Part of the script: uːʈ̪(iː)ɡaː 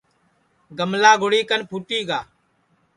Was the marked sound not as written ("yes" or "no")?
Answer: no